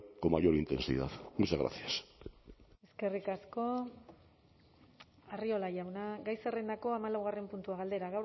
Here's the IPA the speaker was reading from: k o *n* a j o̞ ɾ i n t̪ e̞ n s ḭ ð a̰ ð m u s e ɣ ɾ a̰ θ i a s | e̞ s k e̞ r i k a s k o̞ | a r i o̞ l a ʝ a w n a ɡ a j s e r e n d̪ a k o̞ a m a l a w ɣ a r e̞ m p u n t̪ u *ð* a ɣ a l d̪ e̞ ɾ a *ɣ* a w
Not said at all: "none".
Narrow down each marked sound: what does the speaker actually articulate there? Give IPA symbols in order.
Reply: m, none, ɣ

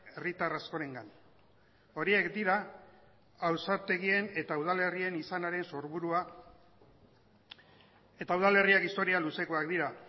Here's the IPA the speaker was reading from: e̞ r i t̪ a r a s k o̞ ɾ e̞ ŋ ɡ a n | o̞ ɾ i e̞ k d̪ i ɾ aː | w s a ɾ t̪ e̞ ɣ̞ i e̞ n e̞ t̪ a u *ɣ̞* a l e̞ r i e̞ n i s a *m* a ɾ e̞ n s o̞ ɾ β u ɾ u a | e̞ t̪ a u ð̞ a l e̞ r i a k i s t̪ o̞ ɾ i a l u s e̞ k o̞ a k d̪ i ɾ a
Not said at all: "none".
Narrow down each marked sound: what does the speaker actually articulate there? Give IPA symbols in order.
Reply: ð̞, n

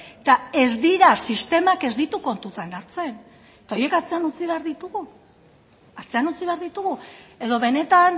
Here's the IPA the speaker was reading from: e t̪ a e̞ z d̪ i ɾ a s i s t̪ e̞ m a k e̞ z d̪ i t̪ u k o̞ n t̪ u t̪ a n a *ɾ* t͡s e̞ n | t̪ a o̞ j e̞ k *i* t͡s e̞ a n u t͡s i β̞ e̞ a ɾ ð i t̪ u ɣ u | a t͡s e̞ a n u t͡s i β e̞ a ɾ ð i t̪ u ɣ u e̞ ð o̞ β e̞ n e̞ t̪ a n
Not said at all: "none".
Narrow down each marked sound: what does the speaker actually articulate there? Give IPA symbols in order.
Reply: ɾ, a

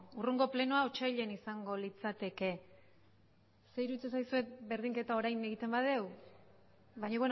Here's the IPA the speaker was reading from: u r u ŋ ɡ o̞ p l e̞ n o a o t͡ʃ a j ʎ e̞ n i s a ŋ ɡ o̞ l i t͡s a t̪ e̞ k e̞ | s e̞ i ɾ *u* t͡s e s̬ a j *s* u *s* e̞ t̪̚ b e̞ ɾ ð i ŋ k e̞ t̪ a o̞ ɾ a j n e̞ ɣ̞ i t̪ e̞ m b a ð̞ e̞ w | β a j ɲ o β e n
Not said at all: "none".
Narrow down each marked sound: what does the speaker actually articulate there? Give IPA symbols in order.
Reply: u, s, none

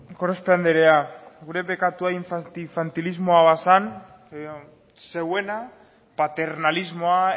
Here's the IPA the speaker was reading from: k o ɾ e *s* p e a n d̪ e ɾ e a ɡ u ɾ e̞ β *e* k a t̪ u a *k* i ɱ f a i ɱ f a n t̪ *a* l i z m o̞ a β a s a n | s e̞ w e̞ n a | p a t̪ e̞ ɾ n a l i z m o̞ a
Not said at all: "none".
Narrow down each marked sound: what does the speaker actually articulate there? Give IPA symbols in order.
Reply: s, e, none, i

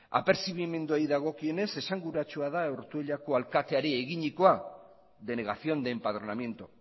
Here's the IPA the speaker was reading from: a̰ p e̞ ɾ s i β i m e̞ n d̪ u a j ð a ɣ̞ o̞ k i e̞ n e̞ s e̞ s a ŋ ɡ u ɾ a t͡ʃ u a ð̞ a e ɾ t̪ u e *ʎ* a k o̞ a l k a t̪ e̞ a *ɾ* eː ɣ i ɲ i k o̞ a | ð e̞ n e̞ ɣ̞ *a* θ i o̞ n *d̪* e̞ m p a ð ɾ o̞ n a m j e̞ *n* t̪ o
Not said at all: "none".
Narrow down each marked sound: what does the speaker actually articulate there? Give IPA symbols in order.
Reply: ʎ, ɾ, a, d̪, n

